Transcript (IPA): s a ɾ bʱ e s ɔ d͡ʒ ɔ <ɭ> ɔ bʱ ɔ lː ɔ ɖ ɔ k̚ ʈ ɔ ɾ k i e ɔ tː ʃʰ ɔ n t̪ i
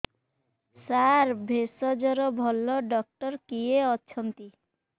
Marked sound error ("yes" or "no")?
yes